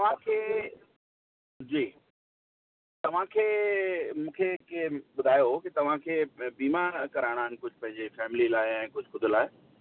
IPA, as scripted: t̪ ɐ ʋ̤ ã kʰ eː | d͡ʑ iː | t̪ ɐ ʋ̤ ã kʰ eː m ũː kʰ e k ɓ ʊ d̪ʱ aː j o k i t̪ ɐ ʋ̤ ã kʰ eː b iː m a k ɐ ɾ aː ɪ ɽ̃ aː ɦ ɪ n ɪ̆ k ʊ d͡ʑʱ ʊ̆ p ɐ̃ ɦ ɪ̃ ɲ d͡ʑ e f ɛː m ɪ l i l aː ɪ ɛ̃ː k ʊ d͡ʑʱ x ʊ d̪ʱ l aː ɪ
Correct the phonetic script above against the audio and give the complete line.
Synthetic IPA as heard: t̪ ɐ ʋ̤ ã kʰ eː | d͡ʑ iː | t̪ ɐ ʋ̤ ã kʰ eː m ũː kʰ e k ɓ ʊ d̪ʱ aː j o k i t̪ ɐ ʋ̤ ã kʰ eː b iː m a k ɐ ɾ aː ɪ ɽ̃ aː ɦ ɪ n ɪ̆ k ʊ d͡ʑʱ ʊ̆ p ɐ̃ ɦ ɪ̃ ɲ d͡ʑ e f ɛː m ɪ l i l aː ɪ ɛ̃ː k ʊ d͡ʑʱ x ʊ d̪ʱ l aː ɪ